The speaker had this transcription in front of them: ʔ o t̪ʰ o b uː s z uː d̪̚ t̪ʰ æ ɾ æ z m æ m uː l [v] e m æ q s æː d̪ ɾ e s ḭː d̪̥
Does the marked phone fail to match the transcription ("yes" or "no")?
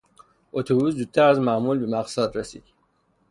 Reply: yes